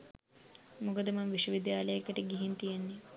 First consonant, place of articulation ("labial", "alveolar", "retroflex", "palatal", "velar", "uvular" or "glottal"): labial